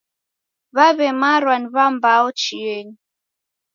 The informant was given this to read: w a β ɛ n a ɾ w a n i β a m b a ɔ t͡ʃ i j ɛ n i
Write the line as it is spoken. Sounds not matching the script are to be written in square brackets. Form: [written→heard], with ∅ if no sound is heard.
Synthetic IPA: [w→β] a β ɛ [n→m] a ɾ w a n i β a m b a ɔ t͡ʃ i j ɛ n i